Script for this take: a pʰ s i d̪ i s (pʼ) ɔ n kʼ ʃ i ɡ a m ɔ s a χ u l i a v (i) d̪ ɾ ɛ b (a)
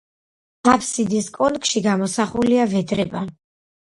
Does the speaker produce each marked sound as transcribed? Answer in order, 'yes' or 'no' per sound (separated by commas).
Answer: no, no, yes